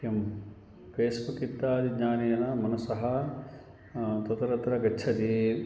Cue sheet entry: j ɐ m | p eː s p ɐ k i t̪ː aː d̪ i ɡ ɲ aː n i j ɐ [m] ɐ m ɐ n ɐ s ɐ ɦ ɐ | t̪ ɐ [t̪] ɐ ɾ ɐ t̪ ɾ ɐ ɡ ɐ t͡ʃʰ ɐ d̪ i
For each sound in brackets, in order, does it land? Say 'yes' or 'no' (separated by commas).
no, yes